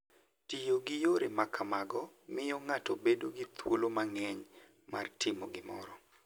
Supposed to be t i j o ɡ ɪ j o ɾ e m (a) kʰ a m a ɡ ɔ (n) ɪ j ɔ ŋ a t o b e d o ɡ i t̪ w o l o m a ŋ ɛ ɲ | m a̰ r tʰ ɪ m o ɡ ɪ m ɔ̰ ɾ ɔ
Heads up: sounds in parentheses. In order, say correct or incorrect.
correct, incorrect: m

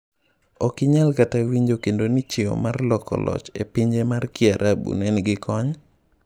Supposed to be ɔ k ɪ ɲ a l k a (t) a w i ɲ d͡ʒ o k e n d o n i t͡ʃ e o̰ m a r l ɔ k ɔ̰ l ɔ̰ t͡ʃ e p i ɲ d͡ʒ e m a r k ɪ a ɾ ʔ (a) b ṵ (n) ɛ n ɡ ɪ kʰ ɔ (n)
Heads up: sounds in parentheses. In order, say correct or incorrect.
correct, correct, correct, incorrect: ɲ

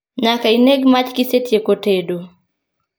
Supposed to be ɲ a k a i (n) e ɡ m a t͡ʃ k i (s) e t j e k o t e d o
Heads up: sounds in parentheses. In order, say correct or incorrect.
correct, correct

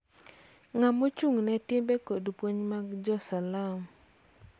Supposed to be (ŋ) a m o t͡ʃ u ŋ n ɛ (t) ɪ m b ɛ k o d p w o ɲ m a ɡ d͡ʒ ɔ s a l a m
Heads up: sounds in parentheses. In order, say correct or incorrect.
correct, correct

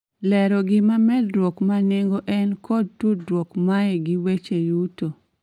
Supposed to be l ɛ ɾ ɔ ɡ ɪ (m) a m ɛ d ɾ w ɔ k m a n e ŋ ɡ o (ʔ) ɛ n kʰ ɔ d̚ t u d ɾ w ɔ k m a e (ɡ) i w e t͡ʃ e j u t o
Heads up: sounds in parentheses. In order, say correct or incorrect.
correct, correct, correct

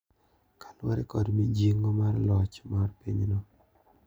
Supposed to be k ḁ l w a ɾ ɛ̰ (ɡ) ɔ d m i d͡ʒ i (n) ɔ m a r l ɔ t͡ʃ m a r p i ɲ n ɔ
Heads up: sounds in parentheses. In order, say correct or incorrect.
incorrect: k, incorrect: ŋ

